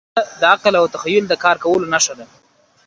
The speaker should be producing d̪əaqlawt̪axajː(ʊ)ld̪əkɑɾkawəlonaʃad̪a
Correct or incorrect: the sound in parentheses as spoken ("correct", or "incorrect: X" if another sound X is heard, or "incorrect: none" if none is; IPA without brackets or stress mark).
correct